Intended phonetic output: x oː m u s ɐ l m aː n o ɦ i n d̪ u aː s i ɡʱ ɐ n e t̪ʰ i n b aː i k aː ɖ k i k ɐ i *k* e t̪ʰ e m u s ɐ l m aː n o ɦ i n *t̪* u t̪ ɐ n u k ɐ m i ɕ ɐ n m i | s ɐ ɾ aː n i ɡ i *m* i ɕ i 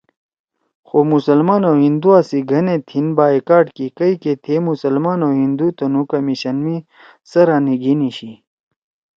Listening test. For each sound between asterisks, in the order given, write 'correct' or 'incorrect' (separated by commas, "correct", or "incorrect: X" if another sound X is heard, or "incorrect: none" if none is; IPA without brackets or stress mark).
correct, incorrect: d̪, incorrect: n